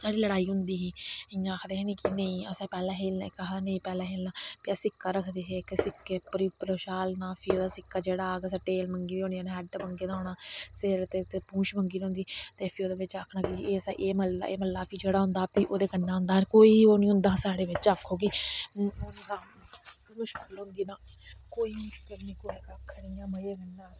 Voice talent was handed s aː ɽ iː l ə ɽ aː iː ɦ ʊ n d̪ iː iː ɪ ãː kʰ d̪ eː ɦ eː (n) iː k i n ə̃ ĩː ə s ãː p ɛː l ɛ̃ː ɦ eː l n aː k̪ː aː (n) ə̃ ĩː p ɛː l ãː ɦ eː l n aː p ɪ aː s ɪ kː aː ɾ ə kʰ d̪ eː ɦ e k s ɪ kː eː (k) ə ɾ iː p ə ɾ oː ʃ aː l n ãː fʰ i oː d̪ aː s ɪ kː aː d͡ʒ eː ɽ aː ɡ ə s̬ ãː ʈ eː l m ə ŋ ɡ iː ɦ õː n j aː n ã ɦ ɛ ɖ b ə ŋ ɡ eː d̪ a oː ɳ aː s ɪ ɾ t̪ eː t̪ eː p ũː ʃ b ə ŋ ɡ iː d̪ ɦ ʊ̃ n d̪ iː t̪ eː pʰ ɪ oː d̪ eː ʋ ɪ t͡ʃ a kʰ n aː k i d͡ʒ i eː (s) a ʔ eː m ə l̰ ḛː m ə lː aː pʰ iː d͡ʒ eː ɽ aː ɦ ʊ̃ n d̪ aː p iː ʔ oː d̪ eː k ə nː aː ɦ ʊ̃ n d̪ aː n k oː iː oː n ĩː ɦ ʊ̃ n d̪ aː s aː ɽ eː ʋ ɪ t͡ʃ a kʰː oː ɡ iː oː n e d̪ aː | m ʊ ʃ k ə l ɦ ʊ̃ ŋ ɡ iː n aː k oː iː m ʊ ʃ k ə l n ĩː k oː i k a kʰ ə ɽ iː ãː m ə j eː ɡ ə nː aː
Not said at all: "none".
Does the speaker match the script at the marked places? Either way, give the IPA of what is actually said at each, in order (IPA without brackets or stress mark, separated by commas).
n, n, p, s